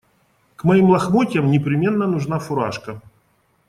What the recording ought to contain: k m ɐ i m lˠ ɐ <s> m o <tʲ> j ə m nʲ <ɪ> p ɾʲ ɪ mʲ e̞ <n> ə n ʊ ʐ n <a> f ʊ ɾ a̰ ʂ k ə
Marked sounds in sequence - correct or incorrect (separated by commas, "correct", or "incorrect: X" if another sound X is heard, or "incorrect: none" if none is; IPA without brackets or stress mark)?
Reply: incorrect: x, correct, correct, incorrect: nː, correct